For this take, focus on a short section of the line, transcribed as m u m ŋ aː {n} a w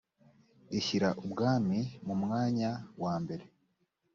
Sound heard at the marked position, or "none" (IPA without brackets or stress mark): ɲ